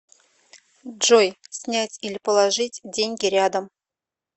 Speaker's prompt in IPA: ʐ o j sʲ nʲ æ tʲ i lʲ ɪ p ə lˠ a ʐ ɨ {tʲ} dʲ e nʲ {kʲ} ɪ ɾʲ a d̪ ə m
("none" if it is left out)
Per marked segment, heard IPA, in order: tʲ, ɡʲ

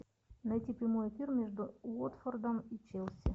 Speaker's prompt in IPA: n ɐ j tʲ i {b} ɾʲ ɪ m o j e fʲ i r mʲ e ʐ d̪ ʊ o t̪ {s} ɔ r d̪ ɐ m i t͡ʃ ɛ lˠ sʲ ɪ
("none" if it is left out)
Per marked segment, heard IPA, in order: p, f

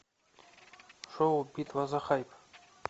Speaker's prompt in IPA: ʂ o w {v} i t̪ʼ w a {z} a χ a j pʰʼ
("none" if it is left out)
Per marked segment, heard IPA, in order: b, z

